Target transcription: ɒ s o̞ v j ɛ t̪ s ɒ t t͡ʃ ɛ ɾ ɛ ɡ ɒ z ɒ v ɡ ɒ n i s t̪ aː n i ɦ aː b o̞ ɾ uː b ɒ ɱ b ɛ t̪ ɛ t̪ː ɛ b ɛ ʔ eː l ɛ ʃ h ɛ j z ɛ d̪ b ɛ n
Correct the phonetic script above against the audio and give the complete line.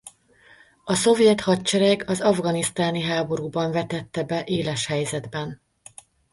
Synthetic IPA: ɒ s o̞ v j ɛ t̪ h ɒ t t͡ʃ ɛ ɾ ɛ ɡ ɒ z ɒ v ɡ ɒ n i s t̪ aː n i ɦ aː b o̞ ɾ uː b ɒ ɱ v ɛ t̪ ɛ t̪ː ɛ b ɛ ʔ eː l ɛ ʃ h ɛ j z ɛ d̪ b ɛ n